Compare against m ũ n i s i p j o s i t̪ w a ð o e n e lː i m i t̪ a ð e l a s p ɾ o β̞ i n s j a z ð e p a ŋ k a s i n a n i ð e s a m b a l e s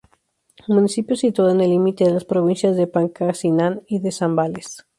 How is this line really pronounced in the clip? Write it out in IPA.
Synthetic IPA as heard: m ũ n i s i p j o s i t̪ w a ð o e n e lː i m i t̪ e ð e l a s p ɾ o β̞ i n s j a z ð e p a ŋ k a s i n a n i ð e s a m b a l e s